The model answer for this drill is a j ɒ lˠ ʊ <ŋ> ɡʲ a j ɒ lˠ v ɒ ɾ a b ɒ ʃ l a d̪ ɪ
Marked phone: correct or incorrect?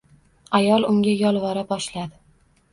correct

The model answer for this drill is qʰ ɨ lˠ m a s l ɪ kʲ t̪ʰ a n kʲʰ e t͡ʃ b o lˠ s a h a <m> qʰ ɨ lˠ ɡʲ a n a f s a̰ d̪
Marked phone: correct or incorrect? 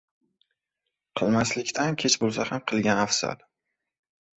correct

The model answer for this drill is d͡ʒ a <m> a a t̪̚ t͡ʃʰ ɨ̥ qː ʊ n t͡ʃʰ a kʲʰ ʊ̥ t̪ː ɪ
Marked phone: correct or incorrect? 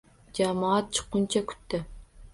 correct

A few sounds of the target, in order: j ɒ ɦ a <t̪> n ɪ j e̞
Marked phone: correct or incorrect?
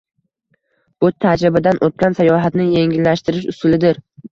correct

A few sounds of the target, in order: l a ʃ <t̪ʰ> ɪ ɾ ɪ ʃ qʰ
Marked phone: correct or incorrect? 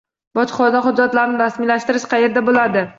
incorrect: t̪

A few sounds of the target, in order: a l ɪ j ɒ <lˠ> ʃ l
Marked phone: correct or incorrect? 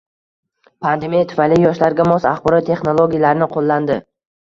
incorrect: none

